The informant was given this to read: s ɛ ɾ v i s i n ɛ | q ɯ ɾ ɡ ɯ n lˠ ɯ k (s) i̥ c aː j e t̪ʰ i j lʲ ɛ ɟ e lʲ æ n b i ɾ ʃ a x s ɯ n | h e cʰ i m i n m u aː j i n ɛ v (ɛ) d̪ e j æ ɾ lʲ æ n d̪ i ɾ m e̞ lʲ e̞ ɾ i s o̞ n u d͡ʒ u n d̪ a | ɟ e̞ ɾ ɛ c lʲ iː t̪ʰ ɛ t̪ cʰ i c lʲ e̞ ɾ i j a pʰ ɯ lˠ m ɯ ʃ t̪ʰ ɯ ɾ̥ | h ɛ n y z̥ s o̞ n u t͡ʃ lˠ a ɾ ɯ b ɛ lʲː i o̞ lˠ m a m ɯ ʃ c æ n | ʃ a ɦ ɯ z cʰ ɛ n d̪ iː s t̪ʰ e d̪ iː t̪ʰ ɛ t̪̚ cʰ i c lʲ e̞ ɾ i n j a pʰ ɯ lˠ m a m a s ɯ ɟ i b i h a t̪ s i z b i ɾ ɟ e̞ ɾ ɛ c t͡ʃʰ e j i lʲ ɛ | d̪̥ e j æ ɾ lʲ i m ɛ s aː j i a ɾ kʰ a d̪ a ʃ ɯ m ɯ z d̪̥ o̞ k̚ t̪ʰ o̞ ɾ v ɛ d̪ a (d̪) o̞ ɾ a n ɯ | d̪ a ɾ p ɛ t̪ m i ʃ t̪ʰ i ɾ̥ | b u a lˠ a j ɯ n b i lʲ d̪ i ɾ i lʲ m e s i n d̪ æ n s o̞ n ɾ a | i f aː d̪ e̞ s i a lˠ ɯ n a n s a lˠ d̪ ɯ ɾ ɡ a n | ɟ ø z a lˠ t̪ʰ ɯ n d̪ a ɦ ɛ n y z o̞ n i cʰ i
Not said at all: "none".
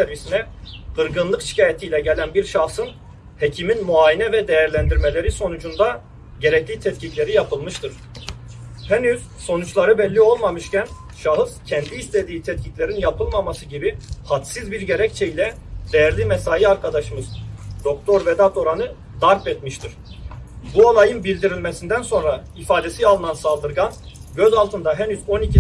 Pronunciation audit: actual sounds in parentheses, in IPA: ʃ, ɛ, t̪

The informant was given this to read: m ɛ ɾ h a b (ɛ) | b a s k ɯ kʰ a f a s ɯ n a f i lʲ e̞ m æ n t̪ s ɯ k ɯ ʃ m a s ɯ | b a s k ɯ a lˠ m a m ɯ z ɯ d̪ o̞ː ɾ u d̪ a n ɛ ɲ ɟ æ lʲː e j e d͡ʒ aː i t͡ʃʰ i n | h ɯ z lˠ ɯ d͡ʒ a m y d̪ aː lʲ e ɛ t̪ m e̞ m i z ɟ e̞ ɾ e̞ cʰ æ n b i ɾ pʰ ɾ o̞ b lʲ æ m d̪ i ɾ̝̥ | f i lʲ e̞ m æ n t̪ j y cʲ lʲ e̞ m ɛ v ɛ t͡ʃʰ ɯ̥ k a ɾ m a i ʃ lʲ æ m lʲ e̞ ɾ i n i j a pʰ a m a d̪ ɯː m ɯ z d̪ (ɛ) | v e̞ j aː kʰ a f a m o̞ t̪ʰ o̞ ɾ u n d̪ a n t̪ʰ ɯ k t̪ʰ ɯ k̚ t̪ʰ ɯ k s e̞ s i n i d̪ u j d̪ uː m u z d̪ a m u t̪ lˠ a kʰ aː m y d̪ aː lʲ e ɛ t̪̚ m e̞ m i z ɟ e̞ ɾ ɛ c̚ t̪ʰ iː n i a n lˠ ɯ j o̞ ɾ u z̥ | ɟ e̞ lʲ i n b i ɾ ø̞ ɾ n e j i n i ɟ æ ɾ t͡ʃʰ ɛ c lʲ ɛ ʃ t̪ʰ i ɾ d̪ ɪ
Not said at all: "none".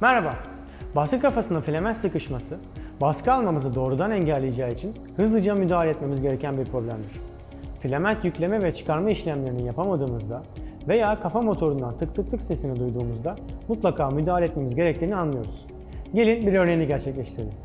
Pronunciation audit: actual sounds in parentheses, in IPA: a, a

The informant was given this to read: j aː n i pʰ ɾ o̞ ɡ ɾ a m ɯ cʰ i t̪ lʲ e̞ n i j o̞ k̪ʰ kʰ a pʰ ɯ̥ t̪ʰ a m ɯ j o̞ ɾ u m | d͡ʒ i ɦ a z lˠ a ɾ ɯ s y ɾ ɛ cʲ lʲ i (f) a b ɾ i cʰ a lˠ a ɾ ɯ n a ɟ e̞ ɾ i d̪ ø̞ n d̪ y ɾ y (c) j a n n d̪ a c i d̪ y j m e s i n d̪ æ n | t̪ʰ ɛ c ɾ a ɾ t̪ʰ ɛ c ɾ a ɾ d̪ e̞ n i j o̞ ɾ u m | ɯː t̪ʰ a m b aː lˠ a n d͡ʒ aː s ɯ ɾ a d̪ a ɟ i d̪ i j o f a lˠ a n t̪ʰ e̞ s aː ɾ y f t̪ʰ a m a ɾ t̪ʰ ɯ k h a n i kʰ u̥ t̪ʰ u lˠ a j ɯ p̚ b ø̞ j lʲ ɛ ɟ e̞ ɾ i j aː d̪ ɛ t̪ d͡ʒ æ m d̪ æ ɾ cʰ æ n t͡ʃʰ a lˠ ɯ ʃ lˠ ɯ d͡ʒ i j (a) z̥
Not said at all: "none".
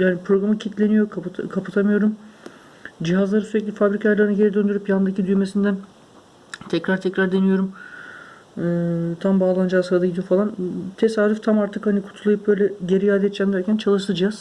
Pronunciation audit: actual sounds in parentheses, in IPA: f, p, a

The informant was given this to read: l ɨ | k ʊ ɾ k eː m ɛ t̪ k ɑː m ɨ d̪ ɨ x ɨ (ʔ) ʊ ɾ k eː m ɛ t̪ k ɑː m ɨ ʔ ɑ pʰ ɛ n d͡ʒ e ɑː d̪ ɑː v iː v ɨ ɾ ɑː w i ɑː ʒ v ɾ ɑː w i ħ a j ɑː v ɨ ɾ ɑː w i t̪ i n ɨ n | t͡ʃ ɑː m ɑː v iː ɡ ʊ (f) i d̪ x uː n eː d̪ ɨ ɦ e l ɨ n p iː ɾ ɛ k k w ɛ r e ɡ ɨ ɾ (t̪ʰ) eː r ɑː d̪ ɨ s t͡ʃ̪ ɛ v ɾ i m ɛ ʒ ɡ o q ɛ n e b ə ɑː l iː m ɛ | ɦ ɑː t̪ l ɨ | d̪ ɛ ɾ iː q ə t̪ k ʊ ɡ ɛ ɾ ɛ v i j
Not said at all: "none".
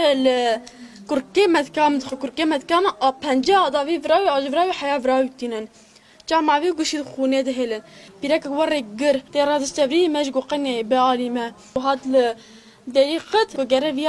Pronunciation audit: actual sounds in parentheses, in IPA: k, ʃ, t̪

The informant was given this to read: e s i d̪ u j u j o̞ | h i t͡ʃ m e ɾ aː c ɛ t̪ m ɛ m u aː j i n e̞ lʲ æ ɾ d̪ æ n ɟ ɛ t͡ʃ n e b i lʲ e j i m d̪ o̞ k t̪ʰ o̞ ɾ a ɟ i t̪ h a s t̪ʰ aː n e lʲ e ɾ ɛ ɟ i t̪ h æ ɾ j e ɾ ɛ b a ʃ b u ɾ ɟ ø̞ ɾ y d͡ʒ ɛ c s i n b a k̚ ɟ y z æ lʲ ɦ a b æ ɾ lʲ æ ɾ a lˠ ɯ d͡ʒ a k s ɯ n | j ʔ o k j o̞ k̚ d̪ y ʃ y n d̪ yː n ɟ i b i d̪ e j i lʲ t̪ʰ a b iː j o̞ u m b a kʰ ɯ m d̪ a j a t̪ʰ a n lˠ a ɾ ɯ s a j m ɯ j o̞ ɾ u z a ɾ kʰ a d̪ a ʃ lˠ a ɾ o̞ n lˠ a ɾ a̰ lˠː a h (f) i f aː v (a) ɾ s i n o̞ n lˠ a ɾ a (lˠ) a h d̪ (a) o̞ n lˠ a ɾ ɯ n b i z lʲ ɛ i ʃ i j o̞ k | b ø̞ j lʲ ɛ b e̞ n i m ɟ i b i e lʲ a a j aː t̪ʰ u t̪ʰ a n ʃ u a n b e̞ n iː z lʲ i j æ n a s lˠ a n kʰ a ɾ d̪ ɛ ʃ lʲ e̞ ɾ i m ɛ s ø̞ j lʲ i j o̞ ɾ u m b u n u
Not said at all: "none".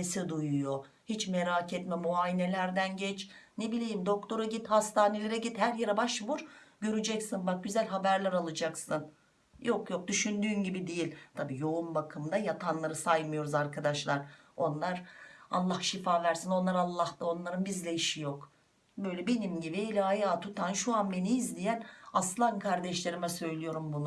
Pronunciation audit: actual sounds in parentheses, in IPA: ʃ, æ, lˠː, a

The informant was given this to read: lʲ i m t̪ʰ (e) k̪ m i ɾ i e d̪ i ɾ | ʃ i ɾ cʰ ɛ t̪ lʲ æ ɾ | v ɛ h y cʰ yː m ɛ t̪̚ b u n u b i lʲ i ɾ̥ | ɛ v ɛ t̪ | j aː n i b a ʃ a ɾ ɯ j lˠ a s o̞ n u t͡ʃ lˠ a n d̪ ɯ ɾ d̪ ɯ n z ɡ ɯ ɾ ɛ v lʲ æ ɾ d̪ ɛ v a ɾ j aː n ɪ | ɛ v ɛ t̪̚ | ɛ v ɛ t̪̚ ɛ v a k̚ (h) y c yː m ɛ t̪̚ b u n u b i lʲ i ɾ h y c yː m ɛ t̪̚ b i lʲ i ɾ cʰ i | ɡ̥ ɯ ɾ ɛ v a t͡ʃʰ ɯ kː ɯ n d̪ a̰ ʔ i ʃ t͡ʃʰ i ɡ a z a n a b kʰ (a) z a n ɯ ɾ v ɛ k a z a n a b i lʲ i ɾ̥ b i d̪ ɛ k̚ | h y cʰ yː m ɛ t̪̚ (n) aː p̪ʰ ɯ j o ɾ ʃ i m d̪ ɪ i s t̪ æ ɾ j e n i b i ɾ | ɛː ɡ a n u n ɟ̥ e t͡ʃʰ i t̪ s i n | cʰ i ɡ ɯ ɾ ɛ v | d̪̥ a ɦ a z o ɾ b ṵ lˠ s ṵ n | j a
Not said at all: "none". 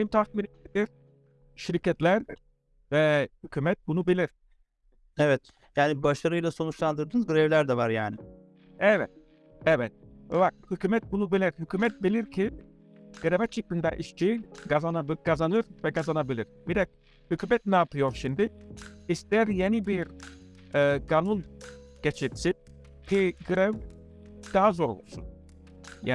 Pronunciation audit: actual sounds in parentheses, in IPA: a, h, a, n

